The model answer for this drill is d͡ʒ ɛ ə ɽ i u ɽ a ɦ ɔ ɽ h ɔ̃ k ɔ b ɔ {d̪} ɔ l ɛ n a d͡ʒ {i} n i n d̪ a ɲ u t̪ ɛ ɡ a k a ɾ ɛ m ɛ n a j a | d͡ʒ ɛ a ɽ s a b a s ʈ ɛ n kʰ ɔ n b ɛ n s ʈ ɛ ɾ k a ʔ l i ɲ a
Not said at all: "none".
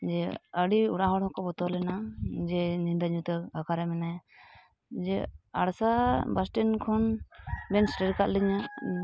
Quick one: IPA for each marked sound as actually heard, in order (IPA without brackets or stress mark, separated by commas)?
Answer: t̪, ɛ